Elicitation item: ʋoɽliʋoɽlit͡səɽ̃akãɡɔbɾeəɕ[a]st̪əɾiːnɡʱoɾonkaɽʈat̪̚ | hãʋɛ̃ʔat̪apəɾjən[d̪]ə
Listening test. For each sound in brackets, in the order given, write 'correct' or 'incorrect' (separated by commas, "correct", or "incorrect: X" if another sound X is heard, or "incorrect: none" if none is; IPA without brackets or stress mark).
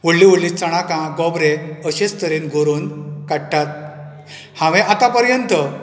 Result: incorrect: e, incorrect: t̪